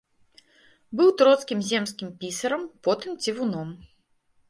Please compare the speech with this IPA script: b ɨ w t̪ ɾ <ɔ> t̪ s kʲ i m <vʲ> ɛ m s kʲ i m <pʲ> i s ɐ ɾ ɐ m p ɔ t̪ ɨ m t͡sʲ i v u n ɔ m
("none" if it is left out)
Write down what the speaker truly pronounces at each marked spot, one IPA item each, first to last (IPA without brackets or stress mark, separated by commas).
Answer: ɔ, zʲ, pʲ